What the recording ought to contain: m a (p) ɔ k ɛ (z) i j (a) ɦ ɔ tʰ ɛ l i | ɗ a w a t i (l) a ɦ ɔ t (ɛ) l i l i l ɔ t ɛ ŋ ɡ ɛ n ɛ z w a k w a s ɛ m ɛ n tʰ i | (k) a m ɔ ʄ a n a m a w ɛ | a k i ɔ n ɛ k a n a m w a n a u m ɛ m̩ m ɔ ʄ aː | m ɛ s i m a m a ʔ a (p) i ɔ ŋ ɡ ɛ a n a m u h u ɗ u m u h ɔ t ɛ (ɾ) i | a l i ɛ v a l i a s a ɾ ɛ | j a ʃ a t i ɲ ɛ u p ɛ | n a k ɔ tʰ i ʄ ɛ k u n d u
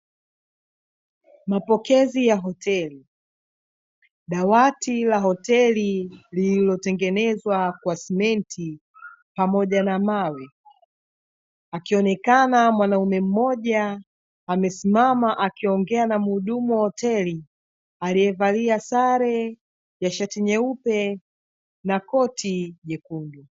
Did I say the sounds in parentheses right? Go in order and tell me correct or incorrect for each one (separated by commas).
correct, correct, correct, correct, correct, incorrect, incorrect, incorrect